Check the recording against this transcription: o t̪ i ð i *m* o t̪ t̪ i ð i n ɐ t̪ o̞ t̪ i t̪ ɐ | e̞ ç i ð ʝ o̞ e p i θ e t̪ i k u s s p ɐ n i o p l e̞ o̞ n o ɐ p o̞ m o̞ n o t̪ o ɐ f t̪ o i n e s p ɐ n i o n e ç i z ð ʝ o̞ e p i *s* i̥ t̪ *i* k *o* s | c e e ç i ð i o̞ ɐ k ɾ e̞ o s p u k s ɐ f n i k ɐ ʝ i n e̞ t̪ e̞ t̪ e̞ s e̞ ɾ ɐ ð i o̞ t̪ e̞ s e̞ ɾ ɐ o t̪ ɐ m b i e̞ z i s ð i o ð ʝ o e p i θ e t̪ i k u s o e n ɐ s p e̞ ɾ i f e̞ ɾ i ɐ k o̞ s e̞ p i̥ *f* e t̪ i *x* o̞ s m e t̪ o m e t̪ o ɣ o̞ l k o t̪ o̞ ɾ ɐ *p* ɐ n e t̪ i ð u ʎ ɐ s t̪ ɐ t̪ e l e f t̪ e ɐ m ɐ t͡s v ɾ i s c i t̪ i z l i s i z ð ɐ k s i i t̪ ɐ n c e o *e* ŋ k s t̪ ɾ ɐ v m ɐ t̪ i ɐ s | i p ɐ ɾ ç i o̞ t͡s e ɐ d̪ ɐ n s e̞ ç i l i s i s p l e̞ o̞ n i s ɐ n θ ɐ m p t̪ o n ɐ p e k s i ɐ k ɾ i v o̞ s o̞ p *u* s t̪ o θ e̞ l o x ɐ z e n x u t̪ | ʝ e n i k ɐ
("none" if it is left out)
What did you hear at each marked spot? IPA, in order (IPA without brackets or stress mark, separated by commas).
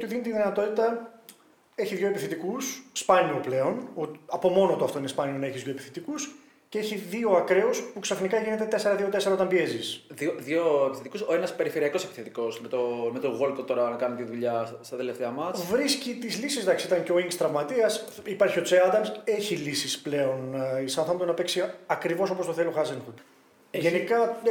n, θ, i, u, θ, k, k, i, o